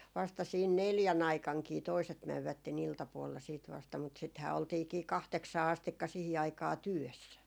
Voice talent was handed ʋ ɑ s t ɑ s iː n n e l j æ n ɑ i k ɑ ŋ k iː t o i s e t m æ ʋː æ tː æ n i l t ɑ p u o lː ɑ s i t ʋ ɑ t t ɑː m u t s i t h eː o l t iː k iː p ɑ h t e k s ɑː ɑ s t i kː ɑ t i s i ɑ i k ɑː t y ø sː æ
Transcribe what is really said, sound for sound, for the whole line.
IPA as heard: ʋ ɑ s t ɑ s iː n n e l j æ n ɑ i k ɑ ŋ k iː t o i s e t m æ ʋː æ tː e n i l t ɑ p u o lː ɑ s iː t ʋ ɑ s t ɑ m u t s i t h æː o l t iː k iː k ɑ h t e k s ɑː ɑ s t i kː ɑ s i h i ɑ i k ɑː t y ø sː æ